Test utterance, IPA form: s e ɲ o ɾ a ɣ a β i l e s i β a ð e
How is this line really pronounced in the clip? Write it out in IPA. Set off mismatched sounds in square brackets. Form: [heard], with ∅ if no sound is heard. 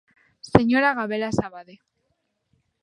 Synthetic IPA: s e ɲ o ɾ a ɣ a β [e] l [a] s [a] β a ð e

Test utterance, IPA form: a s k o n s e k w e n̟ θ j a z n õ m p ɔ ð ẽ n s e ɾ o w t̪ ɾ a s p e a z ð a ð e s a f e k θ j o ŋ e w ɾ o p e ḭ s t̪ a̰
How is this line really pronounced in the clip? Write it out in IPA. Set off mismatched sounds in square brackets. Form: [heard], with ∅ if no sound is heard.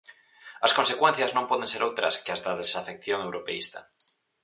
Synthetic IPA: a s k o n s e k w e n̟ θ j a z n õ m p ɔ ð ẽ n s e ɾ o w t̪ ɾ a s [k] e a z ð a ð e s a f e k θ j o ŋ e w ɾ o p e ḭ s t̪ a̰

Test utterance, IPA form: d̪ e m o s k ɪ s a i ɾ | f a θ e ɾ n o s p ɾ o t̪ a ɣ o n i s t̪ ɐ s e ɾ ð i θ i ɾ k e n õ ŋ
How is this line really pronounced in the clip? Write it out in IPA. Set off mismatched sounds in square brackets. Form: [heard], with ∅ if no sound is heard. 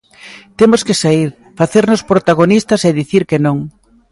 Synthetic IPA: [t̪] e m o s k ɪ s a i ɾ | f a θ e ɾ n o s p ɾ o t̪ a ɣ o n i s t̪ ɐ s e [∅] ð i θ i ɾ k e n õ ŋ

